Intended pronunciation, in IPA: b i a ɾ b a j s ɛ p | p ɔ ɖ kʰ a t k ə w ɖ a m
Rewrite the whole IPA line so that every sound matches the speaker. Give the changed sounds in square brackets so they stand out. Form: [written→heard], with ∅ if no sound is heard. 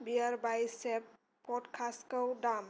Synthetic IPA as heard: b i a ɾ b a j s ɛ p | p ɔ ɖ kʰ a [t→s] k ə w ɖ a m